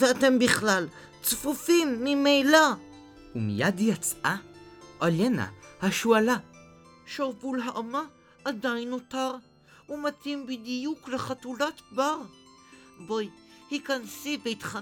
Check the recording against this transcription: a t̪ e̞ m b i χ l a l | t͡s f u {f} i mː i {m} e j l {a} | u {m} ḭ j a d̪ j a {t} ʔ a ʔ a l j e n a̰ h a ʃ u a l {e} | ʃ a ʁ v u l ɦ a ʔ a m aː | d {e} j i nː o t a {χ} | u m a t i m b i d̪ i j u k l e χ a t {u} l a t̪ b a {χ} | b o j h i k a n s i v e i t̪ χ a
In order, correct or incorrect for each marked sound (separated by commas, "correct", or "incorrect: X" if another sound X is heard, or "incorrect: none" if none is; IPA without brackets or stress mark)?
correct, correct, correct, correct, incorrect: t͡s, incorrect: a, incorrect: a, incorrect: ʁ, correct, incorrect: ʁ